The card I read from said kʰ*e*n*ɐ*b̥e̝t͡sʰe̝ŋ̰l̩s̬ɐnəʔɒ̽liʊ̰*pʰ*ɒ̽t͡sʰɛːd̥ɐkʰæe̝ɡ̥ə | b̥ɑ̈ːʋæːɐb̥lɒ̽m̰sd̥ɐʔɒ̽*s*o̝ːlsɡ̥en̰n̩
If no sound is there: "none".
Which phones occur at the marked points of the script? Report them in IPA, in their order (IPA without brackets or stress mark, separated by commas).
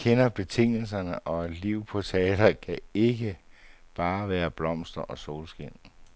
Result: e, ɐ, pʰ, s